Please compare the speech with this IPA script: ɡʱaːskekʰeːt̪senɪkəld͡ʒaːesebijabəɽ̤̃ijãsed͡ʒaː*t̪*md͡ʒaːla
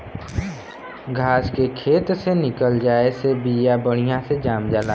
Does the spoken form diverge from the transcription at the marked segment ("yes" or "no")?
yes